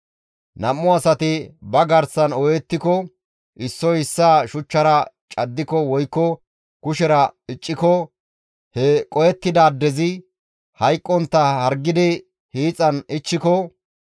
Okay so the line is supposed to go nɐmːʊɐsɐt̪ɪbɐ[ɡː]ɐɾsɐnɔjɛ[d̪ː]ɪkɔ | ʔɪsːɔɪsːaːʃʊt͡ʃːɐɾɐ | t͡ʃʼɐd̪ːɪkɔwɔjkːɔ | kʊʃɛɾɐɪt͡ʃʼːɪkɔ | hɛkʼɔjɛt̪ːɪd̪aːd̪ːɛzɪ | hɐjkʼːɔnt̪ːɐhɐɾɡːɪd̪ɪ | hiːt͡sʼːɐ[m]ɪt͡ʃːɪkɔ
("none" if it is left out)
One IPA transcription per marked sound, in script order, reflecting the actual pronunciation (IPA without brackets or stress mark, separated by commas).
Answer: ɡ, t̪ː, n